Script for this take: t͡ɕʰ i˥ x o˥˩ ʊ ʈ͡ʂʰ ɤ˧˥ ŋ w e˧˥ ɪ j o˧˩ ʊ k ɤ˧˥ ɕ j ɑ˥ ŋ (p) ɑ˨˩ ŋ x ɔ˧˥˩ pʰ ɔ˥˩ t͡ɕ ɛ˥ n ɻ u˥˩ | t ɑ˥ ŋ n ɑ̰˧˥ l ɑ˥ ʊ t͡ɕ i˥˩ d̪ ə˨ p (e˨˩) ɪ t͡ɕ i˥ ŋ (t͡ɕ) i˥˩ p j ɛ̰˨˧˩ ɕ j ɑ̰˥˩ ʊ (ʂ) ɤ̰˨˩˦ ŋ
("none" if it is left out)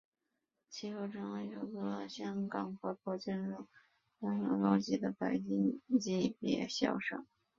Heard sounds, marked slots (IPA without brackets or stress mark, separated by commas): k, a˨˩, t͡ɕ, ʂ